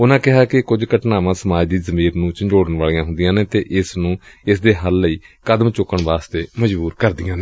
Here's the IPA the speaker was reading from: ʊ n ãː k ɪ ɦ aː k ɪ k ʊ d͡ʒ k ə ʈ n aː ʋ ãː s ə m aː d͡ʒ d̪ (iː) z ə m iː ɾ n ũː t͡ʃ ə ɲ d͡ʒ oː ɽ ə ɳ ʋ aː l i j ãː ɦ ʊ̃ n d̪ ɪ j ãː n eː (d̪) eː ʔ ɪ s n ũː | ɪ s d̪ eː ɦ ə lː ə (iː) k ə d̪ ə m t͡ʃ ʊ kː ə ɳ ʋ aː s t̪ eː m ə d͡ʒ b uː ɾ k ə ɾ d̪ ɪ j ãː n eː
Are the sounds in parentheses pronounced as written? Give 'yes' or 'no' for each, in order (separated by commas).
yes, no, yes